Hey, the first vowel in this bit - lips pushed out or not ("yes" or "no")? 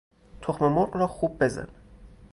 yes